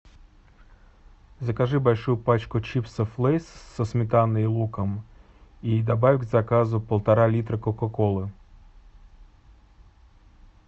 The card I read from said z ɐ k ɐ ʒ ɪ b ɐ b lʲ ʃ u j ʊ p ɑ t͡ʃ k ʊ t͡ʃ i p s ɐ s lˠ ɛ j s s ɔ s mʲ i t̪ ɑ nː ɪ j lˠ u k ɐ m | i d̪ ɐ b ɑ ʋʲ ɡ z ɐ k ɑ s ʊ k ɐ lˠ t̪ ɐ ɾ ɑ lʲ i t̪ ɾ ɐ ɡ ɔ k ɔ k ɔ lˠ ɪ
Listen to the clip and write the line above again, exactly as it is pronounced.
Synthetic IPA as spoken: z ɐ k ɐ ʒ ɪ b ɐ lʲ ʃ u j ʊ p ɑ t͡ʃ k ʊ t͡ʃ i p s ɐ f lˠ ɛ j s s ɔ s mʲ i t̪ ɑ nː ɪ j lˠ u k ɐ m | i d̪ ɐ b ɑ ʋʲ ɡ z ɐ k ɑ z ʊ p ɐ lˠ t̪ ɐ ɾ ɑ lʲ i t̪ ɾ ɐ k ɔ k ɔ k ɔ lˠ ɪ